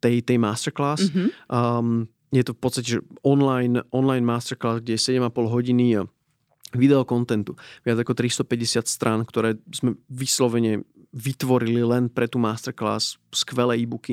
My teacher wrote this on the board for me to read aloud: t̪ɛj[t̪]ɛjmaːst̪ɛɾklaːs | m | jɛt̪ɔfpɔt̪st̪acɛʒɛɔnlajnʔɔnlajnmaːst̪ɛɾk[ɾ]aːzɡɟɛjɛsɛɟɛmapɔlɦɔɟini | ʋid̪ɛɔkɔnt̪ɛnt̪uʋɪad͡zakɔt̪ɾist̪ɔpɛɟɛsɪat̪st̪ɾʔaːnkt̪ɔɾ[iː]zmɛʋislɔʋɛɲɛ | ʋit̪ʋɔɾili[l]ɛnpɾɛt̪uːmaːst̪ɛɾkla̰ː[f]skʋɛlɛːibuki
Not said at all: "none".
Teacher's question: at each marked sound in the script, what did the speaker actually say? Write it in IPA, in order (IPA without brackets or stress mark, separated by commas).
t̪, l, ɛː, l, s